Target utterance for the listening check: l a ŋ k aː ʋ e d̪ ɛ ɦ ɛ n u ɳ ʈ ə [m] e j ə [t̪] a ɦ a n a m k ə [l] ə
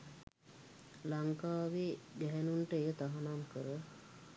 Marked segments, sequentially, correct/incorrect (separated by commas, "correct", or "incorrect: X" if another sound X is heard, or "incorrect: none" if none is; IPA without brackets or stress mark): incorrect: none, correct, incorrect: ɾ